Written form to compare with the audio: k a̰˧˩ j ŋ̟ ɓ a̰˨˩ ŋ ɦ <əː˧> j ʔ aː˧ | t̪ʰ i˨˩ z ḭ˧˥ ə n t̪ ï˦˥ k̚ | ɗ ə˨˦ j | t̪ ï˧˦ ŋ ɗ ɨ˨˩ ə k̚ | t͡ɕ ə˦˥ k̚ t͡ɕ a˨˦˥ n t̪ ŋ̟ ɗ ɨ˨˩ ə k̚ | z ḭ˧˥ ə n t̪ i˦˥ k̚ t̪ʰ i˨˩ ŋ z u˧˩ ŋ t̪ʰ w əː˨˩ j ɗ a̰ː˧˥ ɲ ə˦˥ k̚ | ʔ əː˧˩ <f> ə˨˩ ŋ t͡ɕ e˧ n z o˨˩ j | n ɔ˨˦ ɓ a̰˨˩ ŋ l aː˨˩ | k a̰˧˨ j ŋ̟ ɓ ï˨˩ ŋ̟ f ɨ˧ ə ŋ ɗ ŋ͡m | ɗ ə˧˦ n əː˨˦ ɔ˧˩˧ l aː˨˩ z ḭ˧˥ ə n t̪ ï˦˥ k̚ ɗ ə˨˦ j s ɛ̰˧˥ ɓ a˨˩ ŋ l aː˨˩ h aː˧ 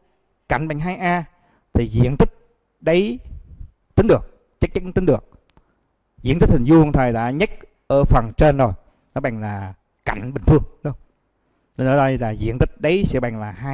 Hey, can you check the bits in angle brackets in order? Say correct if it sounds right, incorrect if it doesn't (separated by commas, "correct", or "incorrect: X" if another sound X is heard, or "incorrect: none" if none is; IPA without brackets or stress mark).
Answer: incorrect: aː˧, correct